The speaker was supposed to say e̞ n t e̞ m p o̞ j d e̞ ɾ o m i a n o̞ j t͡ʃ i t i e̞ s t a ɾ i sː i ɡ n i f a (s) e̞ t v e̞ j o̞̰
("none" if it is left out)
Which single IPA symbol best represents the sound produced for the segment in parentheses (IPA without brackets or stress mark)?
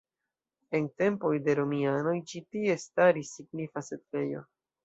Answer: s